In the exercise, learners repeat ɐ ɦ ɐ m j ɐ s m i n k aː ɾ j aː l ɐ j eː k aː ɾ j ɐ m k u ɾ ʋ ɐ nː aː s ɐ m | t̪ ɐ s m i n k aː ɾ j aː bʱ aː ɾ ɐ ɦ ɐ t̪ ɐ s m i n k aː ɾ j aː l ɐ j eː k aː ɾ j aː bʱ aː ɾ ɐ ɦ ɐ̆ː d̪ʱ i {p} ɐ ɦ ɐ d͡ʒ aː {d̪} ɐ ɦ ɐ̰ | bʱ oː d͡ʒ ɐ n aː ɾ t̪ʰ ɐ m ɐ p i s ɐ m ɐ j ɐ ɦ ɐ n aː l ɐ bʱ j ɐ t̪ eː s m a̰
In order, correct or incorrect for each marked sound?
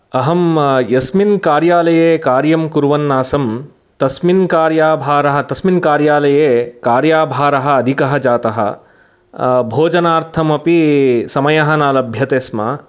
incorrect: k, incorrect: t̪

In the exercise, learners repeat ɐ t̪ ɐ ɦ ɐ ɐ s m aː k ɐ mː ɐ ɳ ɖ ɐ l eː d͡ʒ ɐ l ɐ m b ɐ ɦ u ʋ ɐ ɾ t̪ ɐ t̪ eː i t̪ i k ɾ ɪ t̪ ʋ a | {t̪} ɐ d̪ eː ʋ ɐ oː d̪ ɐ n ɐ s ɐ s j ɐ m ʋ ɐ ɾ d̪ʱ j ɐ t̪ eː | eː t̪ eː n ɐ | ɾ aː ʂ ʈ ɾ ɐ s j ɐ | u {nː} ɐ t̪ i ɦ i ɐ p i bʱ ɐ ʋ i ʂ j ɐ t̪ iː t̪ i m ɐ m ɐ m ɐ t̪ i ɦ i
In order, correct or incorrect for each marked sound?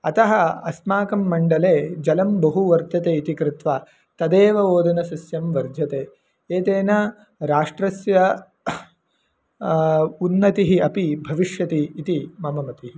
correct, correct

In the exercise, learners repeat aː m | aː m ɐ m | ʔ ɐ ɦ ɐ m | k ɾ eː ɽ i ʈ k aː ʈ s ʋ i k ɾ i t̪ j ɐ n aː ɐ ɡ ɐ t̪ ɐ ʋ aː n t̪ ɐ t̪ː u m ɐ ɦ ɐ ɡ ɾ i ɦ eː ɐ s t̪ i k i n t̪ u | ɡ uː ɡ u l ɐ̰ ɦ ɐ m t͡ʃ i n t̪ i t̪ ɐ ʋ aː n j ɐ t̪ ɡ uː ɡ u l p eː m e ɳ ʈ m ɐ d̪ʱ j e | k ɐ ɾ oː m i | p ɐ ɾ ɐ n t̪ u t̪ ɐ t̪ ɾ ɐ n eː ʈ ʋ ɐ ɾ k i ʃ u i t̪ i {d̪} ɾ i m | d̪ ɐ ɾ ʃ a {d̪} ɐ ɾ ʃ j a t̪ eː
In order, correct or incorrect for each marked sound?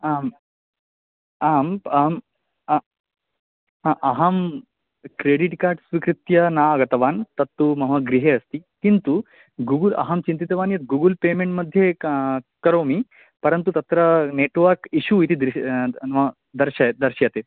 correct, correct

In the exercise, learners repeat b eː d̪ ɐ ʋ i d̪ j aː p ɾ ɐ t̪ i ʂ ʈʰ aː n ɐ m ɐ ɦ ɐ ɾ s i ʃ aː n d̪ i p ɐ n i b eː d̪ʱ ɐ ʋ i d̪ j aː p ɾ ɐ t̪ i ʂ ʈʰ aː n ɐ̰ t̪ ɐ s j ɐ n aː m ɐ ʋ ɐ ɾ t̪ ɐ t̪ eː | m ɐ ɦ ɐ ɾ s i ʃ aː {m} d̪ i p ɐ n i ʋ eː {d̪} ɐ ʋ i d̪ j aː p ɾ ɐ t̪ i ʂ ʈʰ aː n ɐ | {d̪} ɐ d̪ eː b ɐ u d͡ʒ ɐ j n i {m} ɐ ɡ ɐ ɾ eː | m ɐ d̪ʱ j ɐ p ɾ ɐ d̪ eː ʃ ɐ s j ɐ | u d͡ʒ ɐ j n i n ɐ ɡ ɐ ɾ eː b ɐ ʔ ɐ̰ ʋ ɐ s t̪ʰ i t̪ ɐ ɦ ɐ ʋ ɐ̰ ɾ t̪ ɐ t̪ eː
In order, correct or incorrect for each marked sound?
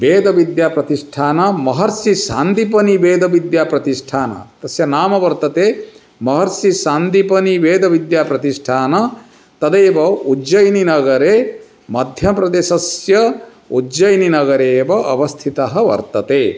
incorrect: n, correct, incorrect: t̪, incorrect: n

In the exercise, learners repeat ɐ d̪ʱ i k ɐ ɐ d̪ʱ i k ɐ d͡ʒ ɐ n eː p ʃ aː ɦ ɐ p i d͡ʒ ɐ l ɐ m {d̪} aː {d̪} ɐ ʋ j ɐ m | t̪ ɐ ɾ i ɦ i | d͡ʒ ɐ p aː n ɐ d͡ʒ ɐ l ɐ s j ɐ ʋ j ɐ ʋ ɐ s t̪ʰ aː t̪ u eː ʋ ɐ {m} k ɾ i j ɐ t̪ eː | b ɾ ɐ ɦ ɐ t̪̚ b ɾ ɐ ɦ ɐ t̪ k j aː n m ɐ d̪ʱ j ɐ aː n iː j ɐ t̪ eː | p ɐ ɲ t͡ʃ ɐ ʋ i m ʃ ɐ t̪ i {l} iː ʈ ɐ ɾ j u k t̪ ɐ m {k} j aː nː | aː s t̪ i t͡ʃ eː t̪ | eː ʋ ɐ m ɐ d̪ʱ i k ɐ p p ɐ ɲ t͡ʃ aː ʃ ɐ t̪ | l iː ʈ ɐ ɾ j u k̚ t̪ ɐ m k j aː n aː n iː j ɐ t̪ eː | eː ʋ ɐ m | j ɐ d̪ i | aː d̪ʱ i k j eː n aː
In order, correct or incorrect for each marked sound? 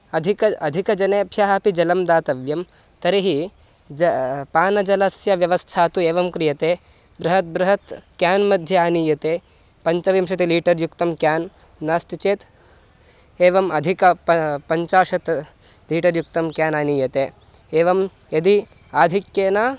correct, incorrect: t̪, correct, correct, correct

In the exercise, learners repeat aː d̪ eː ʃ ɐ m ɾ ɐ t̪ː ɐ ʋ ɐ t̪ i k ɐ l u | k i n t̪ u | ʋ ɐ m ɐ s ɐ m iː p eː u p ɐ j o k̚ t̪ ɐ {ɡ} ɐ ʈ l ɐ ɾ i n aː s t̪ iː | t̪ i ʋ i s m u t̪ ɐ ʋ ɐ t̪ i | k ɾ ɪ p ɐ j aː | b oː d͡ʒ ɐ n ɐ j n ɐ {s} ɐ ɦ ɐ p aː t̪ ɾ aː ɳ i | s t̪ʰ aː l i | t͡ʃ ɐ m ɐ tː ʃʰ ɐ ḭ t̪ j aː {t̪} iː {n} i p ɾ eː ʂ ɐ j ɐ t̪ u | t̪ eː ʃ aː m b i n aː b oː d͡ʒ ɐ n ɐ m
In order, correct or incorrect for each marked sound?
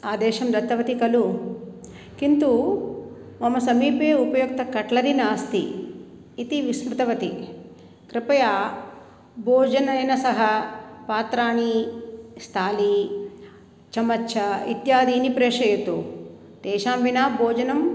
incorrect: k, correct, incorrect: d̪, correct

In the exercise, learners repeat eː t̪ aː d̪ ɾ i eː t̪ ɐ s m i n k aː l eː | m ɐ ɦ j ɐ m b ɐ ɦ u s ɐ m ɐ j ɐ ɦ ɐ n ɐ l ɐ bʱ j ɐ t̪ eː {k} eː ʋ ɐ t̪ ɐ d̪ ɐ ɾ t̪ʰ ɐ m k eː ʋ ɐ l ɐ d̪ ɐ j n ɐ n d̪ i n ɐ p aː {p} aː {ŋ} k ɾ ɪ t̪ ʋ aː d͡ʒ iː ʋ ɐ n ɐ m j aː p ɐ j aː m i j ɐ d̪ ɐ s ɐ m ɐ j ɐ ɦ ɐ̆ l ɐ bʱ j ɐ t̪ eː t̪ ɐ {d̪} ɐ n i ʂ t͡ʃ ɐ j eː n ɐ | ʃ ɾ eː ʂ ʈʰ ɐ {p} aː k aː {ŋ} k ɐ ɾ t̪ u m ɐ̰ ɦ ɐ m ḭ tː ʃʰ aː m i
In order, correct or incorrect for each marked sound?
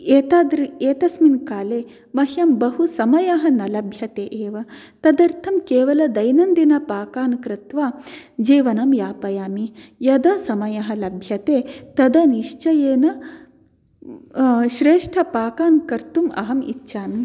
incorrect: ʔ, incorrect: k, incorrect: n, correct, correct, incorrect: n

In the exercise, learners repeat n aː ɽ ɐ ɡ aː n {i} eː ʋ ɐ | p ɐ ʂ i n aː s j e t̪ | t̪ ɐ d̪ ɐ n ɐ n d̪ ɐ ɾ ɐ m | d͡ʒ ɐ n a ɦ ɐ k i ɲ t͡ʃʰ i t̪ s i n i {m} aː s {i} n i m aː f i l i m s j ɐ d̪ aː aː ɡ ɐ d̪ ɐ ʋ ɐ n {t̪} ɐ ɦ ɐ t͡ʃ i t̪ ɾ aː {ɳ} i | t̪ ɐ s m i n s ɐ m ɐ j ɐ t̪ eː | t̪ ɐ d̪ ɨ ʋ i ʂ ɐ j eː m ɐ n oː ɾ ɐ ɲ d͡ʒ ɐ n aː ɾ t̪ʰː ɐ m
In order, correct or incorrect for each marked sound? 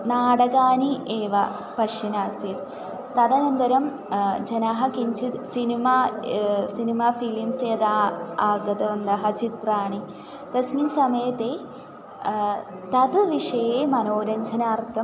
correct, correct, correct, incorrect: d̪, correct

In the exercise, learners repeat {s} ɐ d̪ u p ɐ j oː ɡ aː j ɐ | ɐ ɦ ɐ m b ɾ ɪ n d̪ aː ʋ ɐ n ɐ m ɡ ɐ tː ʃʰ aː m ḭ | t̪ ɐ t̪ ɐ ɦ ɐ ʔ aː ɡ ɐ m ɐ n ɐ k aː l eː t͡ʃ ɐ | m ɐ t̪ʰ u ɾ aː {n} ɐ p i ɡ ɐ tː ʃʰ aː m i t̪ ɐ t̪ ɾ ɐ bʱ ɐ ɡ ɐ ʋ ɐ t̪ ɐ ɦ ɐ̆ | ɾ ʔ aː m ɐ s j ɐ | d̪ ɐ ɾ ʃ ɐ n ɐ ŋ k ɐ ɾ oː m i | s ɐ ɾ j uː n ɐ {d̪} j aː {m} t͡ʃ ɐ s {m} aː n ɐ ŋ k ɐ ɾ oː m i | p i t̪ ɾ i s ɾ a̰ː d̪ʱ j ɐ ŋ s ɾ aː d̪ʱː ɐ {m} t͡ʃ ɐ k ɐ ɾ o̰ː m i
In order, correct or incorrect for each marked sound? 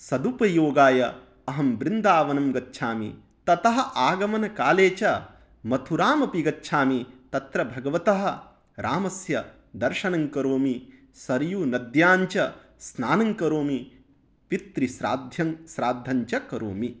correct, incorrect: m, correct, incorrect: ɲ, incorrect: n, incorrect: ɲ

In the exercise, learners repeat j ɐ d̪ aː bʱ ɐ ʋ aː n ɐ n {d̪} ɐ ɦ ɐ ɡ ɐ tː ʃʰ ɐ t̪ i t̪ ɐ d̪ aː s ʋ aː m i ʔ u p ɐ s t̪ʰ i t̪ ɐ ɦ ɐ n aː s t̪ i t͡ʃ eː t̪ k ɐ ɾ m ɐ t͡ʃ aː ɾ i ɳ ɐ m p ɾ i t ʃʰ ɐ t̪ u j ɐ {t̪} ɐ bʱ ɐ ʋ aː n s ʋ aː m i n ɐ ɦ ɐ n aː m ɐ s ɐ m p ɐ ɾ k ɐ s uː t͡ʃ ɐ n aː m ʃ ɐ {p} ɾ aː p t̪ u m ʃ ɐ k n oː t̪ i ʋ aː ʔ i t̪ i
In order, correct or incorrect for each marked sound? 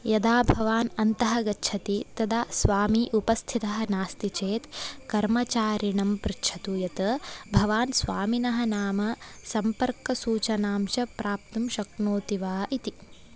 incorrect: t̪, correct, correct

